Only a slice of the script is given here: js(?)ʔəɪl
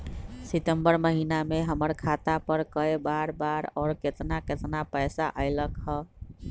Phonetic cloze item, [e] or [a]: a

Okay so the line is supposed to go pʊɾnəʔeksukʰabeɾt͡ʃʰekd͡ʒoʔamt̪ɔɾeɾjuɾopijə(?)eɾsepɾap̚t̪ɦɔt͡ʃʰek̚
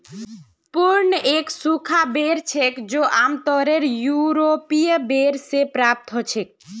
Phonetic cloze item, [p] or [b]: b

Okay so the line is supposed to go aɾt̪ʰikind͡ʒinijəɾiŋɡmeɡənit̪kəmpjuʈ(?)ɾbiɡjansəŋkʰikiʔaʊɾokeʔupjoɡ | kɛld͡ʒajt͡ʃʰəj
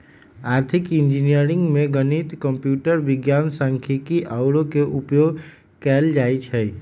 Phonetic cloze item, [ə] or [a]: ə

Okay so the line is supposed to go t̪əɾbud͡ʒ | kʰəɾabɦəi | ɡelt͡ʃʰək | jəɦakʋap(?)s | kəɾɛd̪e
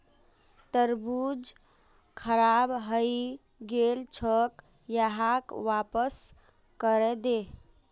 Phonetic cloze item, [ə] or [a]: ə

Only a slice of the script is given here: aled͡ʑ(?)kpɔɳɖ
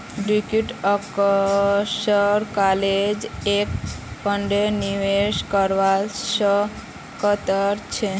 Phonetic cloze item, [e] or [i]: e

